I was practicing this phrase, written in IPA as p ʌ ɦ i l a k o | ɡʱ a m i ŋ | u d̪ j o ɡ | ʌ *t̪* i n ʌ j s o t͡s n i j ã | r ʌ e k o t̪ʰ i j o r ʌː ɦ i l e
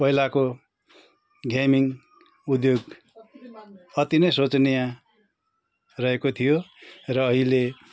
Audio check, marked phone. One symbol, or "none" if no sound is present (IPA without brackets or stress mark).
t̪